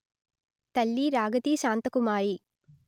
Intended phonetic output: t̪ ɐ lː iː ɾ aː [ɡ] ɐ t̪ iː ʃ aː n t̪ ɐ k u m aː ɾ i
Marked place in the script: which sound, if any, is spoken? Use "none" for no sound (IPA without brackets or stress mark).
ɡ